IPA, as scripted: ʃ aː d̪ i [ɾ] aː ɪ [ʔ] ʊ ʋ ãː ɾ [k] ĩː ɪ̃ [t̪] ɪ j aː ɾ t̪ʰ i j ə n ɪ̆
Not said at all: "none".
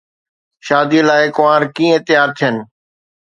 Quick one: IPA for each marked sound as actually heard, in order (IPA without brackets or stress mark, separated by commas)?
l, k, k, t̪